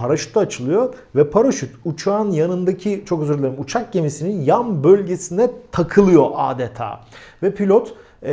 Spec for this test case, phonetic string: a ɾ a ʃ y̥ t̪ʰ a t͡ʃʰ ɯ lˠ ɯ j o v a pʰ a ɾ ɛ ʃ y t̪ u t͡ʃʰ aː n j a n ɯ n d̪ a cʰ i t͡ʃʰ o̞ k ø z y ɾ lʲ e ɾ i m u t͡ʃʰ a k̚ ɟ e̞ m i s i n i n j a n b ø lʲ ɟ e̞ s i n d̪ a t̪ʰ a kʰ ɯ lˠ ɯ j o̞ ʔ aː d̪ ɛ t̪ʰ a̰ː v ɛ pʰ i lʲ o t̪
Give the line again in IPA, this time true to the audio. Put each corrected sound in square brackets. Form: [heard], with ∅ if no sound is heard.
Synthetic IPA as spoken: a ɾ a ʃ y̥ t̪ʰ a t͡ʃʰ ɯ lˠ ɯ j o v [ɛ] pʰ a ɾ [a] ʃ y t̪ u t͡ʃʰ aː n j a n ɯ n d̪ a cʰ i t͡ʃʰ o̞ k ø z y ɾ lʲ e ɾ i m u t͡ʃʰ a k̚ ɟ e̞ m i s i n i n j a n b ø lʲ ɟ e̞ s i n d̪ [ɛ] t̪ʰ a kʰ ɯ lˠ ɯ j o̞ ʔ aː d̪ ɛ t̪ʰ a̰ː v ɛ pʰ i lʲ o t̪